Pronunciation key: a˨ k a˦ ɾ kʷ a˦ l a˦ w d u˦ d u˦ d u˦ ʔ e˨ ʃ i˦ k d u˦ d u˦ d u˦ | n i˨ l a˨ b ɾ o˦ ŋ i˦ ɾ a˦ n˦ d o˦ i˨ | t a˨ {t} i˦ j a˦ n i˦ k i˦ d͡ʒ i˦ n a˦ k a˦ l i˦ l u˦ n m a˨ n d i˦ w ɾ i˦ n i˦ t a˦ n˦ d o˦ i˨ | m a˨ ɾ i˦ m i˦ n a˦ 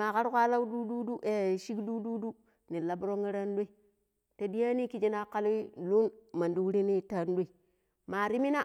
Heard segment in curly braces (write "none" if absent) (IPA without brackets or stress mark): d